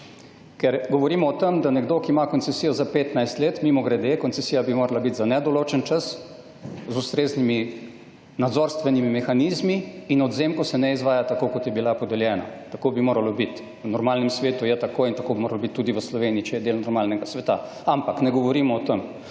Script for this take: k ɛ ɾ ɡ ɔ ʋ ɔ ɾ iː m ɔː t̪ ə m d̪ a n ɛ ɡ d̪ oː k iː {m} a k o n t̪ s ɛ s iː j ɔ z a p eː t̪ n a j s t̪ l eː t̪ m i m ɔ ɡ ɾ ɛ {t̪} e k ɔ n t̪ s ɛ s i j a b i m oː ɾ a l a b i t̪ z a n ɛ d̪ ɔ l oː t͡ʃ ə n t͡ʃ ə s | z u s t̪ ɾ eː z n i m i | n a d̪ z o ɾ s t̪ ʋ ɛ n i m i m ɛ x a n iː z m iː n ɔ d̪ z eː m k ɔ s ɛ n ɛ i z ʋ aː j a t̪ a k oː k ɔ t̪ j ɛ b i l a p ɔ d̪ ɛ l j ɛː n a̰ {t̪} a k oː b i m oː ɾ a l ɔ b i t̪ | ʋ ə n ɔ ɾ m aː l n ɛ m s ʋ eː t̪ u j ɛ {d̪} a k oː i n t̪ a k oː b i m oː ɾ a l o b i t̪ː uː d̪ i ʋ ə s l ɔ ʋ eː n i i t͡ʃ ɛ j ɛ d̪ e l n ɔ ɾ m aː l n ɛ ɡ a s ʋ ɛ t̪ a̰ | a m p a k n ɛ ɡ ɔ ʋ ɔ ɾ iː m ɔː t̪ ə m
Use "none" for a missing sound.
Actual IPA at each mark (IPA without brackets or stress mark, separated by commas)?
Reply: m, d̪, t̪, t̪